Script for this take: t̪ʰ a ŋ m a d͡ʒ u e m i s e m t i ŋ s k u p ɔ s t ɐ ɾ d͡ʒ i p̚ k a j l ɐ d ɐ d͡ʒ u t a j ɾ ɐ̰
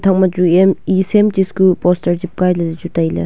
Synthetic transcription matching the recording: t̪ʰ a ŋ m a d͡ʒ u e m i s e m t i s k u p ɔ s t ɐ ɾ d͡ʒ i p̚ k a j l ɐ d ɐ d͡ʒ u t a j l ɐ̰